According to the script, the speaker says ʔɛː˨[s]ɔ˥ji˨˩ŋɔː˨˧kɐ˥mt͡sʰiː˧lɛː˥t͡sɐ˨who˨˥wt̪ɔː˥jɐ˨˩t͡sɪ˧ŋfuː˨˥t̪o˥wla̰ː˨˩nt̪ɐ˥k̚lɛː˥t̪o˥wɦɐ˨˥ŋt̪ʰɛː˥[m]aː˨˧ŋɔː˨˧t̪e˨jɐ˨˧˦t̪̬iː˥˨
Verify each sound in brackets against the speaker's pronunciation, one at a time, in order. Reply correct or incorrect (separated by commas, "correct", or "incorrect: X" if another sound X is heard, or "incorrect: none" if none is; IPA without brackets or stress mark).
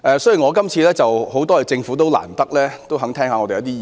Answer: correct, incorrect: ŋ